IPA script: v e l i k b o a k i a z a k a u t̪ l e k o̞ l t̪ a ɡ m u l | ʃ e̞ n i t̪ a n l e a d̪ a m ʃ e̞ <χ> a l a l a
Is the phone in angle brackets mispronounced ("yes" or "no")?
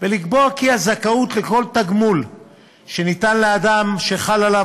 no